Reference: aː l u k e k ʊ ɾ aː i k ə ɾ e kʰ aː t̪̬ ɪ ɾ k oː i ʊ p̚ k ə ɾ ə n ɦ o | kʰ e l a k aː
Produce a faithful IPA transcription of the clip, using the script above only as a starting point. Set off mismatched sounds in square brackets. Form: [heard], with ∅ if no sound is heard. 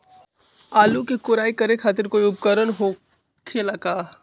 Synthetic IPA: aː l u k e k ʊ ɾ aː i k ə ɾ e kʰ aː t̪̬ ɪ ɾ k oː i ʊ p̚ k ə ɾ ə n ɦ o | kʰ e l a k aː